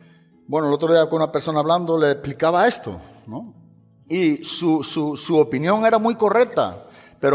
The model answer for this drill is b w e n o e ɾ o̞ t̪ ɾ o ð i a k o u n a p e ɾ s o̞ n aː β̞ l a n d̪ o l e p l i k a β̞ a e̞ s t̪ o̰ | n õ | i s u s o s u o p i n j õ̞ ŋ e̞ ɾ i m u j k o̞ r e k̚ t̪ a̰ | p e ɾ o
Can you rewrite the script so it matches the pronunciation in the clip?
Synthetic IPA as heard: b w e n o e l o̞ t̪ ɾ o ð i a k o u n a p e ɾ s o̞ n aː β̞ l a n d̪ o l e p l i k a β̞ a e̞ s t̪ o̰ | n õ | i s u s u s u o p i n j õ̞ ŋ e̞ ɾ a m u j k o̞ r e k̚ t̪ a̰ | p e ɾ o